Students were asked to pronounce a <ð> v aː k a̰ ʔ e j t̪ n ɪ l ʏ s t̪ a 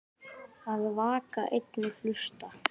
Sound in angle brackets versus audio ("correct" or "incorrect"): correct